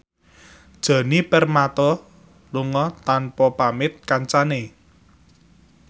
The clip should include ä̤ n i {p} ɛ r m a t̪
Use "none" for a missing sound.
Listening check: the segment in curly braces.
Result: p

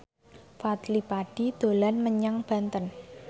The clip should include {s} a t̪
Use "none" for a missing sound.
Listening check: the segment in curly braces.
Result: f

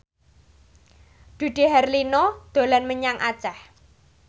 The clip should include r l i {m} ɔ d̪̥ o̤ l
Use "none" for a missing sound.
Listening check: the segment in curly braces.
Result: n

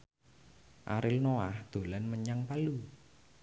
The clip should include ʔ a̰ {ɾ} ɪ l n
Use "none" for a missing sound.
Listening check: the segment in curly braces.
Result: ɾ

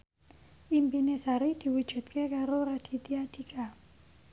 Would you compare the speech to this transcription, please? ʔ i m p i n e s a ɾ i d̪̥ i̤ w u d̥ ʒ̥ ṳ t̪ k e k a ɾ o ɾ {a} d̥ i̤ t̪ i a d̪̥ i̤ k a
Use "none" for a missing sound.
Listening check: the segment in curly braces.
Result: a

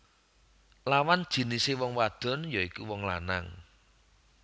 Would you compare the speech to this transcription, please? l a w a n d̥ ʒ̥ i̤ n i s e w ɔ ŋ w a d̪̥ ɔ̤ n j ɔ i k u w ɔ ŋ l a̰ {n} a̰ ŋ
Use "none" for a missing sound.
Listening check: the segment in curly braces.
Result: n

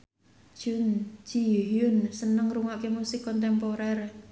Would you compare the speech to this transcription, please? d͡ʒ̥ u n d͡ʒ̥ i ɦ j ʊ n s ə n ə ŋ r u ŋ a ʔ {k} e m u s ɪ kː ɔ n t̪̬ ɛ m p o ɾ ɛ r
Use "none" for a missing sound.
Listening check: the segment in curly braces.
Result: k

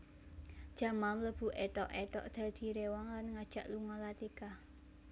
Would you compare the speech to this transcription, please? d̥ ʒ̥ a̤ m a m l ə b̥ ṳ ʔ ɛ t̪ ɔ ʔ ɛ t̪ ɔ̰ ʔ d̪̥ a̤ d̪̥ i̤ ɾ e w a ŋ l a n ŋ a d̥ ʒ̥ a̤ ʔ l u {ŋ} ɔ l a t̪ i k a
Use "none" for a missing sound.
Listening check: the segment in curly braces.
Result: ŋ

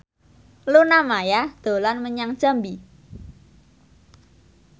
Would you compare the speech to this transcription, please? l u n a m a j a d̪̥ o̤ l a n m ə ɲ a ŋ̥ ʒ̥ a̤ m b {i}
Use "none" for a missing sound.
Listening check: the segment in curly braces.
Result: i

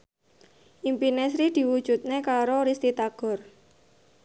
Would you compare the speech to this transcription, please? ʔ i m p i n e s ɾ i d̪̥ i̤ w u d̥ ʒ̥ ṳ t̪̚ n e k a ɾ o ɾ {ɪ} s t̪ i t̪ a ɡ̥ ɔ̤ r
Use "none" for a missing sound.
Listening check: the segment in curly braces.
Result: i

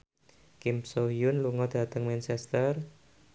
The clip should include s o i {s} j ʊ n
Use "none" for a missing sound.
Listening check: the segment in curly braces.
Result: none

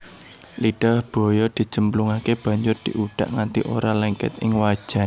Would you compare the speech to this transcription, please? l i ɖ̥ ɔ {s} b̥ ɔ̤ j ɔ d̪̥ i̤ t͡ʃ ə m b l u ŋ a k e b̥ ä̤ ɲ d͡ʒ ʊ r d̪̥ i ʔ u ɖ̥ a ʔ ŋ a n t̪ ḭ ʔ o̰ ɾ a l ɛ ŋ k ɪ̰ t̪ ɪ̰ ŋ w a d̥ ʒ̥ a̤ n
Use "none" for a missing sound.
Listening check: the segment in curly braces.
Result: h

